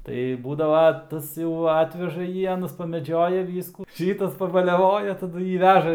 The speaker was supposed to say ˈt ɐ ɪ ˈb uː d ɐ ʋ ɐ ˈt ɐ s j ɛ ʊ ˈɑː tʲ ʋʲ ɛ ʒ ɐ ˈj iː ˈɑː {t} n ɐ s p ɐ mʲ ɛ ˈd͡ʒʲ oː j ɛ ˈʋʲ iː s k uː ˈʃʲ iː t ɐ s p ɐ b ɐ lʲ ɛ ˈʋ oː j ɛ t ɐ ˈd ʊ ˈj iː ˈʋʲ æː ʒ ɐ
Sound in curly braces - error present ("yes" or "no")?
yes